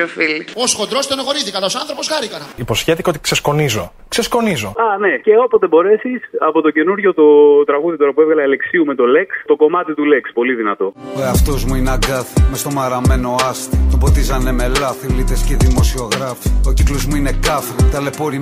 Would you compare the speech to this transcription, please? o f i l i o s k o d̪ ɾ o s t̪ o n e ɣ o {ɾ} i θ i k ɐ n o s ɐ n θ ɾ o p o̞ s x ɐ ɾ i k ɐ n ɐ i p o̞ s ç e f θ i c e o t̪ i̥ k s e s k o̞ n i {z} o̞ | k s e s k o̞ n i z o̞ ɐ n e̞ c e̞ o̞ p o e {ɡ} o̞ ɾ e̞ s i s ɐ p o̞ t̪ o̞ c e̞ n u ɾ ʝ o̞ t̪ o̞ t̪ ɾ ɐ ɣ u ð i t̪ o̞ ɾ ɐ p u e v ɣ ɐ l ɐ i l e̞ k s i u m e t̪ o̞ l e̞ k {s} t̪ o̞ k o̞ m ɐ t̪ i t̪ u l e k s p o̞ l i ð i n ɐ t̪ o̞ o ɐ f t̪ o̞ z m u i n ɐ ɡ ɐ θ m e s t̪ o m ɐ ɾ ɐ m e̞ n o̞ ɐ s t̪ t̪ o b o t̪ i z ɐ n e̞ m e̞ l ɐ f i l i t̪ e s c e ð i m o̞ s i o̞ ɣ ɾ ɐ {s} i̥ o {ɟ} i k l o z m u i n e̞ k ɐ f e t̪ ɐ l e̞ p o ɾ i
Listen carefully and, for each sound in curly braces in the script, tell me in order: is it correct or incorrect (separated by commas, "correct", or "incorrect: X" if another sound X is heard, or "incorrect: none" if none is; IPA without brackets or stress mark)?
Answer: correct, correct, incorrect: b, correct, incorrect: f, incorrect: c